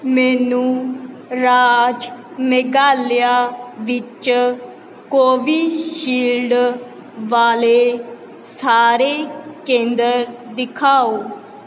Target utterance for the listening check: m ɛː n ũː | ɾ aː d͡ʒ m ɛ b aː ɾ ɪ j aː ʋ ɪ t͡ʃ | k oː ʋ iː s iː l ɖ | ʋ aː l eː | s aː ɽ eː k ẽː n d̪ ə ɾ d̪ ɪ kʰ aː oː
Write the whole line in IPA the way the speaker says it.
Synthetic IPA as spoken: m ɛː n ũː | ɾ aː d͡ʒ m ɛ ɡ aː l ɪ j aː ʋ ɪ t͡ʃ | k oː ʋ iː ʃ iː l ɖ | ʋ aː l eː | s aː ɾ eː k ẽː n d̪ ə ɾ d̪ ɪ kʰ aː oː